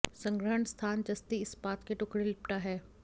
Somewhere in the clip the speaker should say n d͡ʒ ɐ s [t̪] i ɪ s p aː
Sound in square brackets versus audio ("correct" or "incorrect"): correct